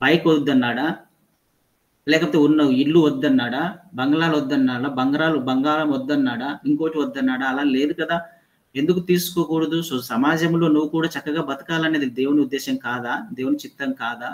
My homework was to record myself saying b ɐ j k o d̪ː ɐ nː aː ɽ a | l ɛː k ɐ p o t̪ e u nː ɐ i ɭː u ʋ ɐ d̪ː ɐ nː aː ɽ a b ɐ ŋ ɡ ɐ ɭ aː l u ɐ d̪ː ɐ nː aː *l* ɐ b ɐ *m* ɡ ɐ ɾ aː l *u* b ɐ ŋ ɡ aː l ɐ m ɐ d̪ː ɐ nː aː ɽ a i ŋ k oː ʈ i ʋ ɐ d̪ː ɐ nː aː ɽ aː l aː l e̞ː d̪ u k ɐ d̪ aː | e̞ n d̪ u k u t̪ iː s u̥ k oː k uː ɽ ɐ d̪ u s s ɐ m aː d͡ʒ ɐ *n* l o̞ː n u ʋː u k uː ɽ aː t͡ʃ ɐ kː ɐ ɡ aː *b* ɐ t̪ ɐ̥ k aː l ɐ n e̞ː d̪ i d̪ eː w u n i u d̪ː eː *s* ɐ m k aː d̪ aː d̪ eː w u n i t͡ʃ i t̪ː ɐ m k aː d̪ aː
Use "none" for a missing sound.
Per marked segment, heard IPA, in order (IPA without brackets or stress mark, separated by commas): ɽ, ŋ, u, m, b, ʃ